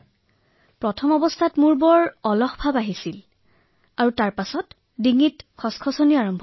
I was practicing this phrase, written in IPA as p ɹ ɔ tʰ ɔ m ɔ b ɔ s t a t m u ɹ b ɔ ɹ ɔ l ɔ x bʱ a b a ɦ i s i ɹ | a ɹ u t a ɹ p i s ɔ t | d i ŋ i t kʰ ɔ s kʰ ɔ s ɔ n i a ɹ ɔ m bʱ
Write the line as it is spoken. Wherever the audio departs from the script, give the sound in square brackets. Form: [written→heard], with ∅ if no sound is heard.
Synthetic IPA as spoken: p ɹ ɔ tʰ ɔ m ɔ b ɔ s [t→tʰ] a t m u ɹ b ɔ ɹ ɔ l ɔ x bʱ a b a ɦ i s i [ɹ→l] | a ɹ u t a ɹ p [i→a] s ɔ t | d i ŋ i t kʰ ɔ s kʰ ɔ s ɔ n i a ɹ ɔ m bʱ